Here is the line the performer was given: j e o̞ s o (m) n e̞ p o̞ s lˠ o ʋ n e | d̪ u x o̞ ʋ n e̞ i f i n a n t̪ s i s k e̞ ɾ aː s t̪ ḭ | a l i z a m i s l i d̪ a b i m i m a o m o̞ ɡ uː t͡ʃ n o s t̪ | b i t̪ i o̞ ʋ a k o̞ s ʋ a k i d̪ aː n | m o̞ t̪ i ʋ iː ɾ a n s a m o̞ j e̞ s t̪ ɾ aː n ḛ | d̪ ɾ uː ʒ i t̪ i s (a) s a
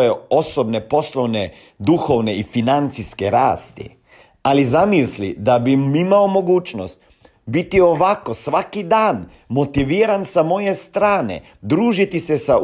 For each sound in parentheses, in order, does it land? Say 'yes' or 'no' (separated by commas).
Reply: no, no